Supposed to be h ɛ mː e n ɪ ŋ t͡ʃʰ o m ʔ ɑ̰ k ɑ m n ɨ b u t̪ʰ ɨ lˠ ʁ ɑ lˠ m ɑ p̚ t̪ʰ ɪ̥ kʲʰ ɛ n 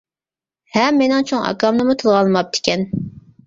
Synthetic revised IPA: h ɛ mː e n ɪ ŋ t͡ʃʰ o ŋ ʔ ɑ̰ k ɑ m n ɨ m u t̪ʰ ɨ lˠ ʁ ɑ lˠ m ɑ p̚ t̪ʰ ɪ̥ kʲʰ ɛ n